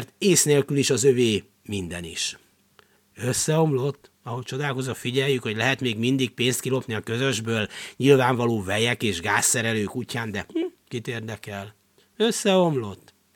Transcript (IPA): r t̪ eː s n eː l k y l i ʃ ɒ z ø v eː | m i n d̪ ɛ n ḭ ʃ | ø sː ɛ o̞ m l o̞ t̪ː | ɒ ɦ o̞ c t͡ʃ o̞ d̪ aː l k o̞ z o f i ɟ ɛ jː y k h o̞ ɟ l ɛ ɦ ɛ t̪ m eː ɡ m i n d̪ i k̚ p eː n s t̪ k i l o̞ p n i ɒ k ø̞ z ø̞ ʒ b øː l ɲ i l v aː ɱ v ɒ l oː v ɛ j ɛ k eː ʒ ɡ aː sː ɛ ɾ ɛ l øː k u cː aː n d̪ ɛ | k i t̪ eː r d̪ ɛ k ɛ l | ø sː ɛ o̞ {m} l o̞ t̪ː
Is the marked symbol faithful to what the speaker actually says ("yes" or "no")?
yes